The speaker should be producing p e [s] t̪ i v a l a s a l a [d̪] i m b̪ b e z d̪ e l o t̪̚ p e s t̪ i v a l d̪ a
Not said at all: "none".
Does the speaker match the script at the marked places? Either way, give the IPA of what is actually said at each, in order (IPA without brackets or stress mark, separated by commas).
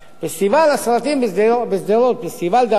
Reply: s, t̪